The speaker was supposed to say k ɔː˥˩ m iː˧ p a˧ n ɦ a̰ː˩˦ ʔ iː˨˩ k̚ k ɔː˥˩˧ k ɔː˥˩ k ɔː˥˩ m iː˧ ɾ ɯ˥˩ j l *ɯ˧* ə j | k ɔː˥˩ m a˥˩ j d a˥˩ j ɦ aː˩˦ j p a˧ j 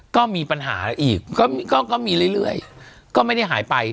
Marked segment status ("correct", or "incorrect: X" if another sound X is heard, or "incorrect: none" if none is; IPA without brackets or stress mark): incorrect: ɯ˥˩